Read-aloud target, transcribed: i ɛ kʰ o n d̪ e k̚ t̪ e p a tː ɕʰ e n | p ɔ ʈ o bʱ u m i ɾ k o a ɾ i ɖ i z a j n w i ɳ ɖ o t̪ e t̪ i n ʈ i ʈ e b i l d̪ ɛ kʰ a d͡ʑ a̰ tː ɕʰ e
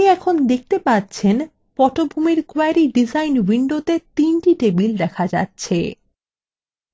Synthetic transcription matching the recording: i ɛ kʰ o n d̪ e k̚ t̪ e p a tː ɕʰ e n | p ɔ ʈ o bʱ u m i ɾ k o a ɾ i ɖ i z a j n w i ɳ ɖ o t̪ e t̪ i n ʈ i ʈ e b i l d̪ ɛ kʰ a d͡ʑ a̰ tː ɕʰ e